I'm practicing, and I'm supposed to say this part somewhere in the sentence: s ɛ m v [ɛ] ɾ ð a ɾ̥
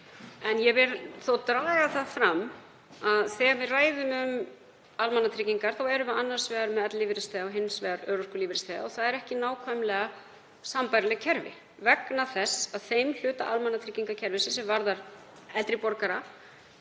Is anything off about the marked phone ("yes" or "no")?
yes